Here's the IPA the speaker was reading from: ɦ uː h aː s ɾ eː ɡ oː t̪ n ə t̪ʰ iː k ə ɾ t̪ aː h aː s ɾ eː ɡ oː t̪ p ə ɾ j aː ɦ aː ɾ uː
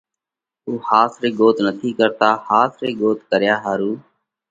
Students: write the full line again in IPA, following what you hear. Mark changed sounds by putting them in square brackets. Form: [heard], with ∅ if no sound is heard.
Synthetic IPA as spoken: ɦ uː h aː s ɾ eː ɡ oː t̪ n ə t̪ʰ iː k ə ɾ t̪ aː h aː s ɾ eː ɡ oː t̪ [k] ə ɾ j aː ɦ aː ɾ uː